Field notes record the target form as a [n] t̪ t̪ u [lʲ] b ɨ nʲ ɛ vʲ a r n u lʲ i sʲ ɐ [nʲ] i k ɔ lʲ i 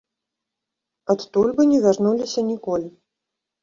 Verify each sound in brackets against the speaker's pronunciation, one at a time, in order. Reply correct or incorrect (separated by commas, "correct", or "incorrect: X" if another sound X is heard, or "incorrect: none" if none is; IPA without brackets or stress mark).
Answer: incorrect: none, correct, correct